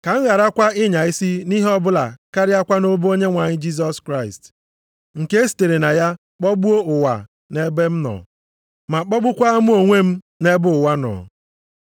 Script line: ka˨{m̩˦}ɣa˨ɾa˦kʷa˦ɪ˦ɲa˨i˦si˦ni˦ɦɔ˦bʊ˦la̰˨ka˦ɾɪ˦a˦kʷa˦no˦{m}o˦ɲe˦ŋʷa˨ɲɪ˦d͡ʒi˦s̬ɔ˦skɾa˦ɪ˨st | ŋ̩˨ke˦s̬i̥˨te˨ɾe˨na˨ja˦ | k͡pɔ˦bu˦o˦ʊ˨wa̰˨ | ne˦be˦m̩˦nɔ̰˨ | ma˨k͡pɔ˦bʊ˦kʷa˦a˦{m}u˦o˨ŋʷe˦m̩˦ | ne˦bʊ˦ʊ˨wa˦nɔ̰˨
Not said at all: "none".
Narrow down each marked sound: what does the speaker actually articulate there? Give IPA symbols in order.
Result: ŋ̩˦, b, m

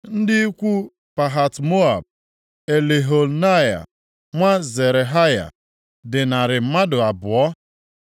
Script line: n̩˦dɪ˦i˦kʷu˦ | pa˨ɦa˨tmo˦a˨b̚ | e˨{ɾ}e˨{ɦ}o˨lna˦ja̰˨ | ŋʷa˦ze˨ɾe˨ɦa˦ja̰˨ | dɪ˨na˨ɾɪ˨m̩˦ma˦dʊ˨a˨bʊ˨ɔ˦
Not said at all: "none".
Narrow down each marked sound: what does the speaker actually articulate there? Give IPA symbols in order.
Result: l, ɦ

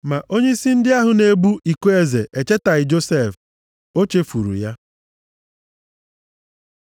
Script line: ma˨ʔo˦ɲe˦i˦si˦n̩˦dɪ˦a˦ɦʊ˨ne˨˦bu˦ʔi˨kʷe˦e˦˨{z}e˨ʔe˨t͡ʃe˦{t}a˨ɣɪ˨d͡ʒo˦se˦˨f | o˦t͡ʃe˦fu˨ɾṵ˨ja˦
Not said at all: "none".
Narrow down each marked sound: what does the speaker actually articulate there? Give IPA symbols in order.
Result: z, t

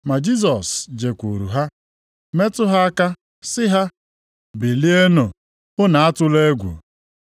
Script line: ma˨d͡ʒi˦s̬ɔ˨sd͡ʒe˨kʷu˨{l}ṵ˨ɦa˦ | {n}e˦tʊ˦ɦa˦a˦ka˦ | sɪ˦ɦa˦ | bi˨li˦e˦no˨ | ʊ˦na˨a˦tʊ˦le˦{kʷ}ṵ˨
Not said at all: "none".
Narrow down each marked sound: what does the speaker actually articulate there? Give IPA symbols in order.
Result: ɾ, m, ɡʷ

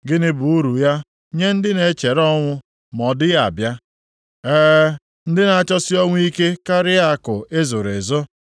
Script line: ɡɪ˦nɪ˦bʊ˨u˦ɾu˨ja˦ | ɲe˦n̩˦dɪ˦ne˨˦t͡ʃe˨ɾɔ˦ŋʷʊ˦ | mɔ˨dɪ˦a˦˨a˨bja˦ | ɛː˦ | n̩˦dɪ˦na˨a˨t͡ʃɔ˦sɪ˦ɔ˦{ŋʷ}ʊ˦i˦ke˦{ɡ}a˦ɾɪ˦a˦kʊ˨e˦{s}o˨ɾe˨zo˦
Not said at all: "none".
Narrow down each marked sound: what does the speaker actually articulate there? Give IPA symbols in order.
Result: ŋʷ, k, z

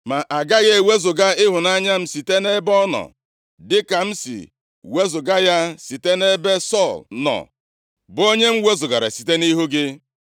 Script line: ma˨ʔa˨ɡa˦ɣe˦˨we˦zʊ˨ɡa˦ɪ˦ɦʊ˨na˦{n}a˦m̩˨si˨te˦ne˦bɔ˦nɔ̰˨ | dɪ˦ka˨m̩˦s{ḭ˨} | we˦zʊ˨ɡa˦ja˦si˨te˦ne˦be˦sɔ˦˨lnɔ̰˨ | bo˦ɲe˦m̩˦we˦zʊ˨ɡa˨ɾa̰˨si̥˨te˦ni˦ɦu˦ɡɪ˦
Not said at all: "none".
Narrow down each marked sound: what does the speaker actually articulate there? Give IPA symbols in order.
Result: ɲ, ḭ˨

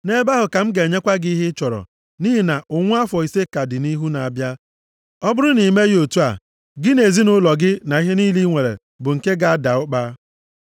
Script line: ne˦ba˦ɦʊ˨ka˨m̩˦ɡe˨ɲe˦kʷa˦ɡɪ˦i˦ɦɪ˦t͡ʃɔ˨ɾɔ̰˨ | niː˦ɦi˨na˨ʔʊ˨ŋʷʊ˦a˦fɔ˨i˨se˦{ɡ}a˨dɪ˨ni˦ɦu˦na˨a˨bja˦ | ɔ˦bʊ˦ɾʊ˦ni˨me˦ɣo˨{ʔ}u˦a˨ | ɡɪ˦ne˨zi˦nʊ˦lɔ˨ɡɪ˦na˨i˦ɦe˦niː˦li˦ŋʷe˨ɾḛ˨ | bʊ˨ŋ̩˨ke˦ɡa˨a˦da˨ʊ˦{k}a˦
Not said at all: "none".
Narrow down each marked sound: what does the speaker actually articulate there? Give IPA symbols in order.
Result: k, t, k͡p

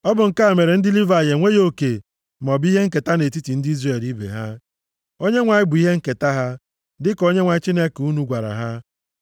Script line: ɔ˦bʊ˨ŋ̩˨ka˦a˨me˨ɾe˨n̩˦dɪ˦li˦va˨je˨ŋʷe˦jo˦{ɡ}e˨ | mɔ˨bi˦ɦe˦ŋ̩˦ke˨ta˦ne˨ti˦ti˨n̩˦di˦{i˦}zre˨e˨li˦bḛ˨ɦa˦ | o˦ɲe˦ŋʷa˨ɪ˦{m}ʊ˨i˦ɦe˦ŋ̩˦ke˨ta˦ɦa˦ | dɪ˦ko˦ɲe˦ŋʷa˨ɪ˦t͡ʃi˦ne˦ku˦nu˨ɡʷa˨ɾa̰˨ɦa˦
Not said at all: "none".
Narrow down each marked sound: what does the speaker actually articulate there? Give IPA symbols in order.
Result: k, i˦, b

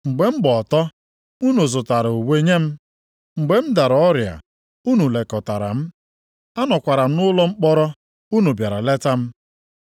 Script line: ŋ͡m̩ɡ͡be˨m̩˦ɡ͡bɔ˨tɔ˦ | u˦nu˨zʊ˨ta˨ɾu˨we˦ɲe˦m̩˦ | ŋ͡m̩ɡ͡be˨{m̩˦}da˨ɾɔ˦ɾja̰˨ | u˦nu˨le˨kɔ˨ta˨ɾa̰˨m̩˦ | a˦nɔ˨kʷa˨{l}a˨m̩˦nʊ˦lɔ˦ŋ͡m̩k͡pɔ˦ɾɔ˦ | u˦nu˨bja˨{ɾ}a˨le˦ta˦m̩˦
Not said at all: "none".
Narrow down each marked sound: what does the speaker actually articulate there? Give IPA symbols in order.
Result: m̩˦, ɾ, ɾ

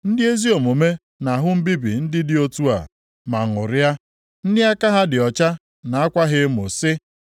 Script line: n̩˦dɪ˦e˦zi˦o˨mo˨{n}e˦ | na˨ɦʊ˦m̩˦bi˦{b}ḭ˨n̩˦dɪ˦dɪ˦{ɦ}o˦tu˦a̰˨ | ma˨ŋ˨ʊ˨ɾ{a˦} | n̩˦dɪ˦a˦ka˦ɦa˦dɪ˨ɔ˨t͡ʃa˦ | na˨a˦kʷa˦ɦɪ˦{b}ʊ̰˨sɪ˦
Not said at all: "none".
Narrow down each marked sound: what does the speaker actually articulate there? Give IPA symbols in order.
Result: m, b, none, a˦, m

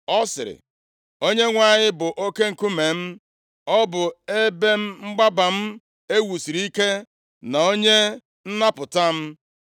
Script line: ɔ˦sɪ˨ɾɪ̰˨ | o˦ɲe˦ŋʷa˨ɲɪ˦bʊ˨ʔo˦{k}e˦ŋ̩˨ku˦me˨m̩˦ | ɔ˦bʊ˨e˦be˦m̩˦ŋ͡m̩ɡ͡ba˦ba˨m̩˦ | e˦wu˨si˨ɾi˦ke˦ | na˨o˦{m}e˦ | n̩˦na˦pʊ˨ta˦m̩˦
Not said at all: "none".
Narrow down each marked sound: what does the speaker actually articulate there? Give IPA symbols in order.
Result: k, ɲ

